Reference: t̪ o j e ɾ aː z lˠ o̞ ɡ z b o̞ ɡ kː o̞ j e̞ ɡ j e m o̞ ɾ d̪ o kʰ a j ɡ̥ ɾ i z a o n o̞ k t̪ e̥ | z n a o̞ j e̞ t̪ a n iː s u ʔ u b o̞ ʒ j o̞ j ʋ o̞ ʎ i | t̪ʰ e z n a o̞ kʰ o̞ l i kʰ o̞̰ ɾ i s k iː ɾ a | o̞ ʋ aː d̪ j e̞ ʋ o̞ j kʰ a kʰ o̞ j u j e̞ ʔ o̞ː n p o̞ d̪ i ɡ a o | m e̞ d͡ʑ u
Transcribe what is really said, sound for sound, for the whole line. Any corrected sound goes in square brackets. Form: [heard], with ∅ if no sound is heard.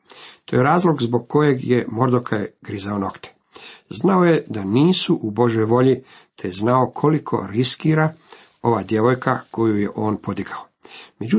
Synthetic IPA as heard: t̪ o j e ɾ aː z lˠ o̞ ɡ z b o̞ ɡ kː o̞ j e̞ ɡ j e m o̞ ɾ d̪ o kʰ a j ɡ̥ ɾ i z a o n o̞ k t̪ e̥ | z n a o̞ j e̞ [d̪] a n iː s u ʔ u b o̞ ʒ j o̞ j ʋ o̞ ʎ i | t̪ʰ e z n a o̞ kʰ o̞ l i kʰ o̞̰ ɾ i s k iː ɾ a | o̞ ʋ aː d̪ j e̞ ʋ o̞ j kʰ a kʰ o̞ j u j e̞ ʔ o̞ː n p o̞ d̪ i ɡ a o | m e̞ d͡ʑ u